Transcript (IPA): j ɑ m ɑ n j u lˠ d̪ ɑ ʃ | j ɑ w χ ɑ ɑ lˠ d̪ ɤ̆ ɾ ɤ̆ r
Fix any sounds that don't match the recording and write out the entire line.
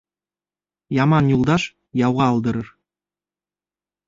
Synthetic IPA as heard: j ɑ m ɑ n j u lˠ d̪ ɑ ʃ | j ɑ w ʁ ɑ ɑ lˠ d̪ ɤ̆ ɾ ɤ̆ r